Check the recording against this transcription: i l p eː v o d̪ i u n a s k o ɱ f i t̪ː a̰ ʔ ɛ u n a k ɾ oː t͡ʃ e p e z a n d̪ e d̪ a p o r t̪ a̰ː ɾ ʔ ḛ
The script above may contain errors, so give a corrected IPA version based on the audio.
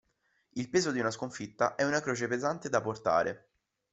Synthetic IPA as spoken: i l p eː z o d̪ i u n a s k o ɱ f i t̪ː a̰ ʔ ɛ u n a k ɾ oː t͡ʃ e p e z a n t̪ e d̪ a p o r t̪ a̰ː ɾ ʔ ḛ